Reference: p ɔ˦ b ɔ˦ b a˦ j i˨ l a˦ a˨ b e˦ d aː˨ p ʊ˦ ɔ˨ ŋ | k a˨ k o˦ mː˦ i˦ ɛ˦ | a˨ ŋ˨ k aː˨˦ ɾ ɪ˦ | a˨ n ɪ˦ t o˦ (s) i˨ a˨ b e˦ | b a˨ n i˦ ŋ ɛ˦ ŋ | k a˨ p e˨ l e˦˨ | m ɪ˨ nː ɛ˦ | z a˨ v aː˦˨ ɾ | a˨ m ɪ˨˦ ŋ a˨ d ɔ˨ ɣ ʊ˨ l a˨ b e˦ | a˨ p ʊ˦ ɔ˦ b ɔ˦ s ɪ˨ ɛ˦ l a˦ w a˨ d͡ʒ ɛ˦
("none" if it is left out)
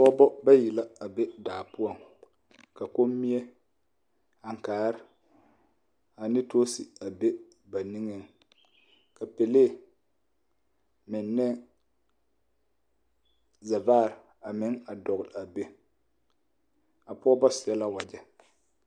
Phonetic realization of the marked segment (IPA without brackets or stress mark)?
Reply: s